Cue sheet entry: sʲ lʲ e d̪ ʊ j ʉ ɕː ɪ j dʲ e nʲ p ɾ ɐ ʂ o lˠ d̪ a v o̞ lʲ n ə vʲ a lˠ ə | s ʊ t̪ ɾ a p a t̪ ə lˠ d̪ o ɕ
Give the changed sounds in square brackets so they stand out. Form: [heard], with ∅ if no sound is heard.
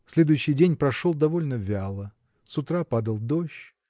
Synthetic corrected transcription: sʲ lʲ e d̪ ʊ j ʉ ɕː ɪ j dʲ e nʲ p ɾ ɐ ʂ o lˠ d̪ [ɐ] v o̞ lʲ n ə vʲ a lˠ ə | s ʊ t̪ ɾ a p a [d̪] ə lˠ d̪ o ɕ